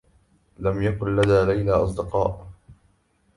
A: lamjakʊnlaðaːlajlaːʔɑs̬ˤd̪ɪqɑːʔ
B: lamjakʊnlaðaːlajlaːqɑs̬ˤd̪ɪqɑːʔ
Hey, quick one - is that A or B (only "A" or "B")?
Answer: A